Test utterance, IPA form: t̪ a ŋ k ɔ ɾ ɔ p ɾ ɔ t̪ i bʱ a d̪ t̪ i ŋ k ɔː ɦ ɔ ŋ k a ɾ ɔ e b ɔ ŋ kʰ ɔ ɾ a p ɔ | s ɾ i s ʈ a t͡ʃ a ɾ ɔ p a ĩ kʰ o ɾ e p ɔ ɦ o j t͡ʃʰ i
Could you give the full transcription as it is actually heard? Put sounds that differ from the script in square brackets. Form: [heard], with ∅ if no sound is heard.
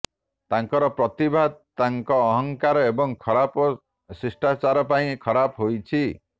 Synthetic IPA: t̪ a ŋ k ɔ ɾ ɔ p ɾ ɔ t̪ i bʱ a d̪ t̪ [a] ŋ k ɔː ɦ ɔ ŋ k a ɾ ɔ e b ɔ ŋ kʰ ɔ ɾ a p ɔ | s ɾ i s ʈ a t͡ʃ a ɾ ɔ p a ĩ kʰ [ɔ] ɾ [a] p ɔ ɦ o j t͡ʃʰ i